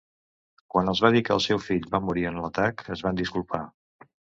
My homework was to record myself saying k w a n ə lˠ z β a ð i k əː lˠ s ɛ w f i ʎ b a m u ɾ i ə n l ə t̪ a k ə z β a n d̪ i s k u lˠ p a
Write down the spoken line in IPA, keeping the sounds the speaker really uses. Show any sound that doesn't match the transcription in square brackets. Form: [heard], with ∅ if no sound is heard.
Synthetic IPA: k w a n ə lˠ z β a ð i k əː lˠ s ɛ w f i ʎ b a m u ɾ i ə n l ə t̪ a k ə z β a n d̪ i s k u lˠ p a